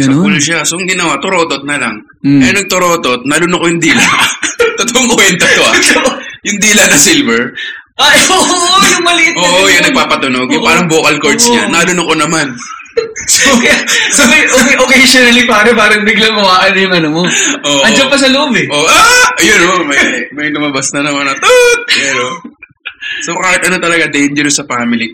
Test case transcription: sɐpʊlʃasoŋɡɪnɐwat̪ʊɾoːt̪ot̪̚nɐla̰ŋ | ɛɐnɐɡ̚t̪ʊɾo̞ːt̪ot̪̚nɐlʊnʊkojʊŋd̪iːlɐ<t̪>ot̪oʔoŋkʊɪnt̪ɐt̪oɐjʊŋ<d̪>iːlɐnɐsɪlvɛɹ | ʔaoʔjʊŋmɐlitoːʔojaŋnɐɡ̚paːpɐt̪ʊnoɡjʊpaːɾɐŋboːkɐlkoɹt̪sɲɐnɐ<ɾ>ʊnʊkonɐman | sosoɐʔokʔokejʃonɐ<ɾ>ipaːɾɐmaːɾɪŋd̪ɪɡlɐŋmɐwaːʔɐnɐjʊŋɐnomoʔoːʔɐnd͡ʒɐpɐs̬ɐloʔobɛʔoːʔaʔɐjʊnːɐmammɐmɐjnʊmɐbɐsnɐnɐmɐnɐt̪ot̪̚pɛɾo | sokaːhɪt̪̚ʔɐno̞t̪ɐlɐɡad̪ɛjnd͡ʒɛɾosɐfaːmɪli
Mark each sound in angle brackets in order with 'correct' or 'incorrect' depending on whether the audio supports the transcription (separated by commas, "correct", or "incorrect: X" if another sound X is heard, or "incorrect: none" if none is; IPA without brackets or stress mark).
correct, correct, incorrect: l, incorrect: l